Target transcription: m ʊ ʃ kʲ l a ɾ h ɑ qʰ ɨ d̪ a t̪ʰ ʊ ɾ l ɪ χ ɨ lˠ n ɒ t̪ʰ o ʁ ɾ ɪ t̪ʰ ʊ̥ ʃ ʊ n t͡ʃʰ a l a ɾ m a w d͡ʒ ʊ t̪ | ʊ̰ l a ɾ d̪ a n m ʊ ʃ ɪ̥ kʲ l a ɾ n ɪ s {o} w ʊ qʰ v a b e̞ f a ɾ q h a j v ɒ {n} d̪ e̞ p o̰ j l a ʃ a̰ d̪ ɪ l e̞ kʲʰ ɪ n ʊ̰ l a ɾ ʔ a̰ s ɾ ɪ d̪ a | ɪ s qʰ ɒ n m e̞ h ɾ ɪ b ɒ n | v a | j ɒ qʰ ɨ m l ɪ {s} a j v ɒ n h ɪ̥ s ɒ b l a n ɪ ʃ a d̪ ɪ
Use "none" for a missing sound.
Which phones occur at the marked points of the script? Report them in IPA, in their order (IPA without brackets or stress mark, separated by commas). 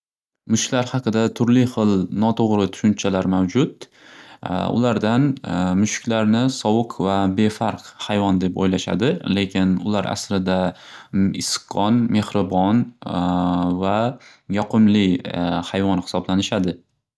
ɒ, n, h